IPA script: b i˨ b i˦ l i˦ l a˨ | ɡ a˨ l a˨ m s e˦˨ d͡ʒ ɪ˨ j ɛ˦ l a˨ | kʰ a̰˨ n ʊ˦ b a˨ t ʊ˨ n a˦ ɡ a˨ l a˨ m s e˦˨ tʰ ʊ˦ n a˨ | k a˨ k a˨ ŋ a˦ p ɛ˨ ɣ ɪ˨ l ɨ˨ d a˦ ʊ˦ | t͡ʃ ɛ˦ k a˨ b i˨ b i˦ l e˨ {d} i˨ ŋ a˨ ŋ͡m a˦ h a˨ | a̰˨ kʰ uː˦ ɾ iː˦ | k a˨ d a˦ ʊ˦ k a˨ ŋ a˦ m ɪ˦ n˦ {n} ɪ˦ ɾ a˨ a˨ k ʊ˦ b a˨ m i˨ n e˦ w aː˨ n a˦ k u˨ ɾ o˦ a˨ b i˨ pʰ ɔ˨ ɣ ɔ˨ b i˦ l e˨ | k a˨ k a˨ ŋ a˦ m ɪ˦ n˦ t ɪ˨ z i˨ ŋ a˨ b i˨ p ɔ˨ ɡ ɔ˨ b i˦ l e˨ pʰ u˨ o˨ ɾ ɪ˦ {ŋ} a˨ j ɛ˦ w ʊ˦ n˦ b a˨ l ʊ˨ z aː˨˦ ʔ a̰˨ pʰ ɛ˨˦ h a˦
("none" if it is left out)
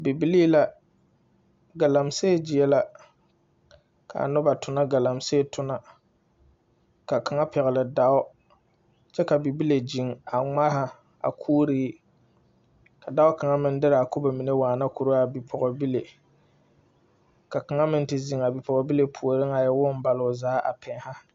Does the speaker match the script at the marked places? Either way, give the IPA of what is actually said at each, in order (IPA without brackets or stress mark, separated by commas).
d͡ʒ, d, ŋ